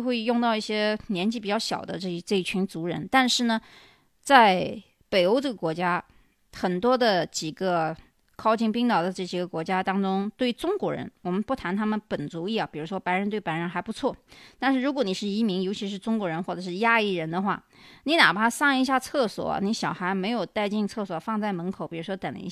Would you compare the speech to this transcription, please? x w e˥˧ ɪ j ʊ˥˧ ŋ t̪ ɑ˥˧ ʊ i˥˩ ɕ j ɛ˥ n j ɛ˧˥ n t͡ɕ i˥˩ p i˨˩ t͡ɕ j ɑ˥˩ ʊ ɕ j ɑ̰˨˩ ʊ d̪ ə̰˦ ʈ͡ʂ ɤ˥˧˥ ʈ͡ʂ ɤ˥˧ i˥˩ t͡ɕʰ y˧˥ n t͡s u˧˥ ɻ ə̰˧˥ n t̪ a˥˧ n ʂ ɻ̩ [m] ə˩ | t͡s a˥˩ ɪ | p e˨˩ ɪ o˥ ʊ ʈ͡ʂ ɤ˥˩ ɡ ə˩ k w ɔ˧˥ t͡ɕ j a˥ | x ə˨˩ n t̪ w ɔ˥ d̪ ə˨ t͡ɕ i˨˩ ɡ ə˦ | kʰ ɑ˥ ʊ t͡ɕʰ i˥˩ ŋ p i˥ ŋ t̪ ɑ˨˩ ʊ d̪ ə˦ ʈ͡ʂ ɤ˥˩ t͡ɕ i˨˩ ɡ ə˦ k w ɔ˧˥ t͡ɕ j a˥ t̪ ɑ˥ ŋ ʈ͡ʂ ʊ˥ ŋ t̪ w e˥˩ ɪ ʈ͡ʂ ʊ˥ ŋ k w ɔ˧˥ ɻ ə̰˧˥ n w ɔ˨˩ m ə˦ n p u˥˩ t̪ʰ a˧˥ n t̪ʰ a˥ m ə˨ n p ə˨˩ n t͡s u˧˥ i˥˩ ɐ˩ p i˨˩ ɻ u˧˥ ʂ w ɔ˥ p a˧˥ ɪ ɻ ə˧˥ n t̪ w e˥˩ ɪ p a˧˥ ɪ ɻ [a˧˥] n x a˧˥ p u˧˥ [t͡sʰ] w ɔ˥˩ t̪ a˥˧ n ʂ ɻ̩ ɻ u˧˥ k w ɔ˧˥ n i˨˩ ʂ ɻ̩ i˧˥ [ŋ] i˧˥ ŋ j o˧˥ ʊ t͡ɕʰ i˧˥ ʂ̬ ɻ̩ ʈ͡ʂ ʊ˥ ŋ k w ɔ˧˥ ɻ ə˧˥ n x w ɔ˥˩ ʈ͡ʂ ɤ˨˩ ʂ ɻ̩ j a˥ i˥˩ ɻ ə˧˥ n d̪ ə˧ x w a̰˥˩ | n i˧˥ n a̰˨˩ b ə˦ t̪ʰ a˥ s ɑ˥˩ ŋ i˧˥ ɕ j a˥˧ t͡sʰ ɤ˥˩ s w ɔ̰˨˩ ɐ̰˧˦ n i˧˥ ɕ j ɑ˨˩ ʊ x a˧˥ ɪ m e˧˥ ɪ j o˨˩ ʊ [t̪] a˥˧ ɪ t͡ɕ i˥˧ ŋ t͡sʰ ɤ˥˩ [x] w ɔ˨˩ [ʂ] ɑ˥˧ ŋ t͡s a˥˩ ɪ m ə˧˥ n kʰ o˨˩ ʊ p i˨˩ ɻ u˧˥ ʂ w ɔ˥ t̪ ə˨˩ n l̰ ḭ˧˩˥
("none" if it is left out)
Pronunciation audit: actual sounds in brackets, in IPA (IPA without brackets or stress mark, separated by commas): n, ə˧˥, t͡sʰ, m, t̪, s, f